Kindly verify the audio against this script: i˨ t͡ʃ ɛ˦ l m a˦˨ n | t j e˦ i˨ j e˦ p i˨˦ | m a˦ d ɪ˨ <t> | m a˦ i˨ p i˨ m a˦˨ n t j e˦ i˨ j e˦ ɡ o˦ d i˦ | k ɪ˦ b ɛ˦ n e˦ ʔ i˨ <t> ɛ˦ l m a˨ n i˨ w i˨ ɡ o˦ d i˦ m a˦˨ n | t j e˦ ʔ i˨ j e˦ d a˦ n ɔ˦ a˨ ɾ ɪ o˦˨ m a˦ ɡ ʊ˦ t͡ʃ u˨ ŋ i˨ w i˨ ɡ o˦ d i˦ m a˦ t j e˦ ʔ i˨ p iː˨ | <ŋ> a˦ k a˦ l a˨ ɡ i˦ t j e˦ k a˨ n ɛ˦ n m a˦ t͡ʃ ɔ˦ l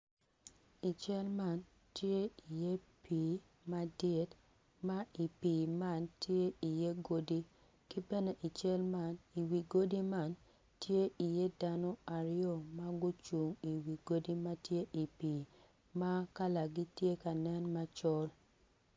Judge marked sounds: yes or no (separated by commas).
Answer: yes, no, no